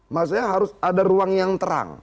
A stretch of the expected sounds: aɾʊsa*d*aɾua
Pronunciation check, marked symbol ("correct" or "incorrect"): correct